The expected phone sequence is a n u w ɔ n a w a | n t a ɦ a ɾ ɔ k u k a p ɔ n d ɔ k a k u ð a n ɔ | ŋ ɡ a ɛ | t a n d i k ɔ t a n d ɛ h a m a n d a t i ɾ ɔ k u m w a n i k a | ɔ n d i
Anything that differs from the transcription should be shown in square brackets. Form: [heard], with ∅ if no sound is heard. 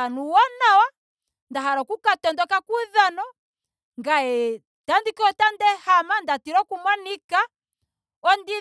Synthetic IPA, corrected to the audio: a n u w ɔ n a w a | n [d] a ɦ a ɾ ɔ k u k a [t] ɔ n d ɔ k a k u ð a n ɔ | ŋ ɡ a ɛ | t a n d i k ɔ t a n d ɛ h a m a n d a t i ɾ ɔ k u m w a n i k a | ɔ n d i